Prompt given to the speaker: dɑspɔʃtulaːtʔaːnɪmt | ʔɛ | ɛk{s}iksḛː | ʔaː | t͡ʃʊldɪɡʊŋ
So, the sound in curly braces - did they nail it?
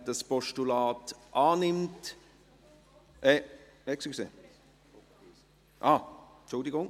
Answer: yes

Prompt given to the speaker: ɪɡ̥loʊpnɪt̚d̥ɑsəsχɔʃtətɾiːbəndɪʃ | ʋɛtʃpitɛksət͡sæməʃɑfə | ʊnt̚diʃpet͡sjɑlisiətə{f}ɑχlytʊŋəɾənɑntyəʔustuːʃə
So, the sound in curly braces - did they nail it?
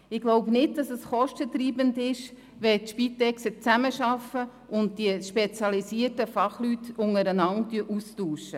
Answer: yes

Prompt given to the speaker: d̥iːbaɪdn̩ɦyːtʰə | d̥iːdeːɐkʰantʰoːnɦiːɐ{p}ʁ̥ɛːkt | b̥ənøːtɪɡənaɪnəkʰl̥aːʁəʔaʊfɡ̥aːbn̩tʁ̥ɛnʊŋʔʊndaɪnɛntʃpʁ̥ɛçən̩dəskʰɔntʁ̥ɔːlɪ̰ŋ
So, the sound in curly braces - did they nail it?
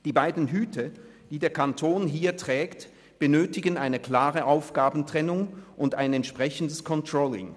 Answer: no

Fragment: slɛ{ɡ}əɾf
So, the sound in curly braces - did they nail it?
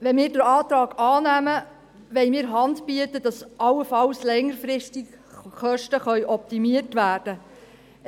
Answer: no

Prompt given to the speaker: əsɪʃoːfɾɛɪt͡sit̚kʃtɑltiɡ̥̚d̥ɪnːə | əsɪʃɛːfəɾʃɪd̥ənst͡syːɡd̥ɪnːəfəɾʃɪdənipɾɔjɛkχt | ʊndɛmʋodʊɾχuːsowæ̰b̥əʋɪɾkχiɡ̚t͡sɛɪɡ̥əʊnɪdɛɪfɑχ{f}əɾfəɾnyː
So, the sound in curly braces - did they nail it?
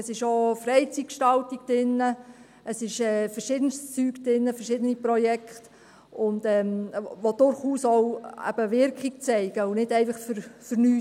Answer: yes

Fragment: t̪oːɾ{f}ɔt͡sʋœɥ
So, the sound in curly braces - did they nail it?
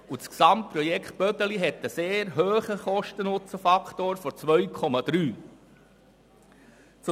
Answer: yes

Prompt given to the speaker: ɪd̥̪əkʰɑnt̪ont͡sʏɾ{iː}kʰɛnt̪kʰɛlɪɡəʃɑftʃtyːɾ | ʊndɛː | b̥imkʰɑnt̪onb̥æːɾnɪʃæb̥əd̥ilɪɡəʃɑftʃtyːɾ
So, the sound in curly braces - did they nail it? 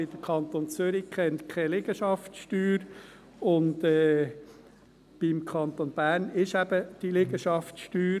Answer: no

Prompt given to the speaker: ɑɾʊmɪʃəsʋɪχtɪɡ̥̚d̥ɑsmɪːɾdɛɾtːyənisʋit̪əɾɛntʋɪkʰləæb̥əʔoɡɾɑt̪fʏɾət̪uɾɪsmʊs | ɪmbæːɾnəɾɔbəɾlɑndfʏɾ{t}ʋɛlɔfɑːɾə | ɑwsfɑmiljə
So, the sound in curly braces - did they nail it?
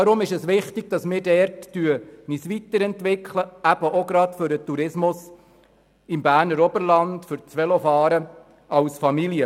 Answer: no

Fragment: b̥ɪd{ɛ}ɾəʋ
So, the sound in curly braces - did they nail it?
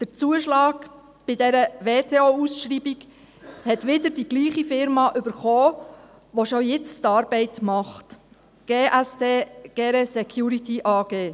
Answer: yes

